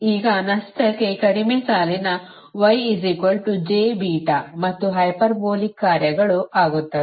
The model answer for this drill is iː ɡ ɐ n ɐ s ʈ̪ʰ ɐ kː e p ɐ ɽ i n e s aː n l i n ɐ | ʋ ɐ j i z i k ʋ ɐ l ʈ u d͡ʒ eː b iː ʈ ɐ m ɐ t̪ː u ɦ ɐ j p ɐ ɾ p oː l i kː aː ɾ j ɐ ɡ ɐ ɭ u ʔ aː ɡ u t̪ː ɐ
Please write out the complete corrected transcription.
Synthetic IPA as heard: iː ɡ ɐ n ɐ s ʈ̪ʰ ɐ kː e k ɐ ɽ i m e s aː l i n ɐ | ʋ ɐ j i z i k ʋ ɐ l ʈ u d͡ʒ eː b iː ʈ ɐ m ɐ t̪ː u ɦ ɐ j p ɐ ɾ b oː l i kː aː ɾ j ɐ ɡ ɐ ɭ u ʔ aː ɡ u t̪ː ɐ